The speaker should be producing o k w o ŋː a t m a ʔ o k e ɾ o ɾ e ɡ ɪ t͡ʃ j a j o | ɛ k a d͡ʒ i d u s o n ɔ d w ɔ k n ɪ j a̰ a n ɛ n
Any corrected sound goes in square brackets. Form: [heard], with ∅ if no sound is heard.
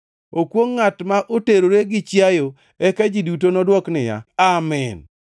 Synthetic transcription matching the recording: o k w o ŋː a t m a ʔ o [t] e ɾ o ɾ e ɡ ɪ t͡ʃ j a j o | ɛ k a d͡ʒ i d u [t] o n ɔ d w ɔ k n ɪ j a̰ a [m] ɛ n